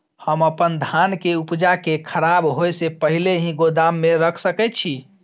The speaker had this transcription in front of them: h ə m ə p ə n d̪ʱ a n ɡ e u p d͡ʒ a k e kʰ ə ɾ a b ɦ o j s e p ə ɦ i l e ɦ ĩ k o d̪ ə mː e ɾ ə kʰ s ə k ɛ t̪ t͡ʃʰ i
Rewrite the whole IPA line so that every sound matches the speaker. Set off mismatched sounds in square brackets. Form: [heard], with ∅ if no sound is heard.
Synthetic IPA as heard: h ə m ə p ə n d̪ʱ a n [k] e u p d͡ʒ a k e kʰ ə ɾ a b ɦ o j s e p ə ɦ i l e ɦ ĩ [ɡ] o d̪ [a] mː e ɾ ə kʰ s ə k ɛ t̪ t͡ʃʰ i